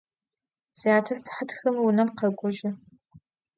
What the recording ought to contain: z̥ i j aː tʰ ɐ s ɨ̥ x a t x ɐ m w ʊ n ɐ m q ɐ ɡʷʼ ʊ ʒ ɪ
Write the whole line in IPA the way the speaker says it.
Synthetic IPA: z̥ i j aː tʰ ɐ s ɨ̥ ħ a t x ɐ m w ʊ n ɐ m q ɐ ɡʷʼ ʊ ʒ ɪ